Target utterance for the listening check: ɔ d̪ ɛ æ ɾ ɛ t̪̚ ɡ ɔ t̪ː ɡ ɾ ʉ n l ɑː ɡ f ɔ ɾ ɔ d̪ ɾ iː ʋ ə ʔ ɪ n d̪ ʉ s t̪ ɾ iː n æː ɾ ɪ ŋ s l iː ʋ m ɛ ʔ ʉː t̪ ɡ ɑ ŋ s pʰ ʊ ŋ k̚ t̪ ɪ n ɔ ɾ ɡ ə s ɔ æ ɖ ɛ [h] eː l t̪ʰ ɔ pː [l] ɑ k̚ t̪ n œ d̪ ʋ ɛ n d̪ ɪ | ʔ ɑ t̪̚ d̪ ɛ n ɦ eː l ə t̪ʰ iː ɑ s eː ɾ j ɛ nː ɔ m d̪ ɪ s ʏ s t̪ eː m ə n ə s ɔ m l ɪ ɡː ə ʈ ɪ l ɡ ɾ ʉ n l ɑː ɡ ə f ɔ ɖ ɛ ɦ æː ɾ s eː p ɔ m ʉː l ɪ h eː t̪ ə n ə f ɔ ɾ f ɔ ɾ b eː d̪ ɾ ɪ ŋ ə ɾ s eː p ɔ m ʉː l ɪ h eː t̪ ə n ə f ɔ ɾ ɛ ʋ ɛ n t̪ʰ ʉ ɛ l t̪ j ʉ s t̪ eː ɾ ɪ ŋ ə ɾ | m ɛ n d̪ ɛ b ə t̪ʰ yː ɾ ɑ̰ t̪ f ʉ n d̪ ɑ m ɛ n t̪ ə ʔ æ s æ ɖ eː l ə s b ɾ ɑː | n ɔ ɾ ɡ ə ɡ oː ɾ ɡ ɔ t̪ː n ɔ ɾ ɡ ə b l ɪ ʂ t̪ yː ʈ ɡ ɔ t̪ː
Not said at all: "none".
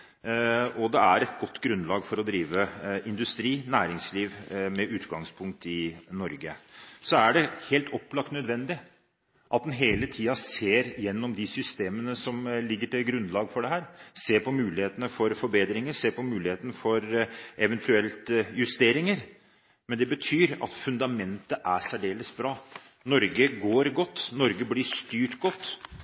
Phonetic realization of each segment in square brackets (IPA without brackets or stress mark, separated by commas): h, l